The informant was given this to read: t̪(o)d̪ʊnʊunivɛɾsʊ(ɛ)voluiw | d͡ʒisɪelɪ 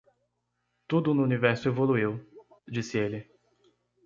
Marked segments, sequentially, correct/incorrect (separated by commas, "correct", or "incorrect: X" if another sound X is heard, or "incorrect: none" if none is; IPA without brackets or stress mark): incorrect: u, incorrect: e